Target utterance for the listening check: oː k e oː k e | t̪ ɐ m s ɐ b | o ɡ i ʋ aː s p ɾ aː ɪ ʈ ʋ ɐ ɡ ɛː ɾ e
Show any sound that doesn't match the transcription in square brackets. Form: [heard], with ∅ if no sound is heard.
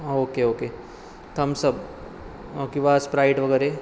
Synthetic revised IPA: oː k e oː k e | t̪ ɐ m s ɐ b | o [k] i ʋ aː s p ɾ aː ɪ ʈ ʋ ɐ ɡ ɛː ɾ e